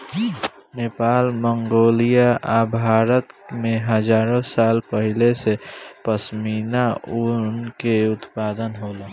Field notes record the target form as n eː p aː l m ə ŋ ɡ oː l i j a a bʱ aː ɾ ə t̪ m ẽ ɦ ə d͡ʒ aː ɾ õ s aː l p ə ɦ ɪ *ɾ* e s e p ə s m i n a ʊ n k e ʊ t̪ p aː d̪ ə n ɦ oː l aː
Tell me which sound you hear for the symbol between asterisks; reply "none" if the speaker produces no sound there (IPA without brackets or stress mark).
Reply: l